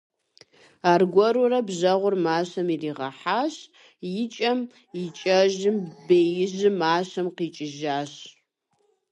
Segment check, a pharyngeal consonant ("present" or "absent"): present